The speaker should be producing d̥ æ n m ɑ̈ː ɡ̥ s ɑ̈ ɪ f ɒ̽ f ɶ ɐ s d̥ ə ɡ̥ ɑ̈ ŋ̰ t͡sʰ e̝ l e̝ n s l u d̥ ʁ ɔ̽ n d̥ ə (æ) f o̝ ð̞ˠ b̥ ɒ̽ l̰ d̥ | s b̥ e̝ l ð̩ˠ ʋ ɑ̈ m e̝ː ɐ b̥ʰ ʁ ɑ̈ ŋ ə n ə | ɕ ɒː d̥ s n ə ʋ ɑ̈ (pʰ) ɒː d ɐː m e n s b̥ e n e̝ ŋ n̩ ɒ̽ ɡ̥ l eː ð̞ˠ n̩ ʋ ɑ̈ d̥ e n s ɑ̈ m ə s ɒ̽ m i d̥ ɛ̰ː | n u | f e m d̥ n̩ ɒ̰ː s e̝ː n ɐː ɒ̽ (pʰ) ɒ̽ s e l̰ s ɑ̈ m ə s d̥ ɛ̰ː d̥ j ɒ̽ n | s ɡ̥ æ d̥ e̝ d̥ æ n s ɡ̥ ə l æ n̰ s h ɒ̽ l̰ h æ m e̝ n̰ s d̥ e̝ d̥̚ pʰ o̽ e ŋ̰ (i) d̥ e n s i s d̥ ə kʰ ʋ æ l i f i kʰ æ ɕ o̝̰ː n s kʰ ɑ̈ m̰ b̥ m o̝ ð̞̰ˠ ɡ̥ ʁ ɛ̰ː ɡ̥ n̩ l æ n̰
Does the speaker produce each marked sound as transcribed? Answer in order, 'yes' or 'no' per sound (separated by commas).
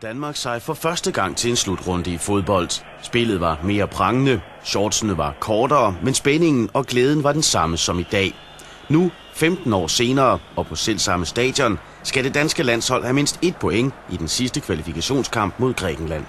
no, no, yes, yes